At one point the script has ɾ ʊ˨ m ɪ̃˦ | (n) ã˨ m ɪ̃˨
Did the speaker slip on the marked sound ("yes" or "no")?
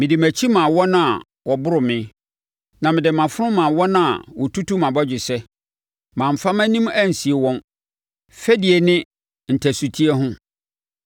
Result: no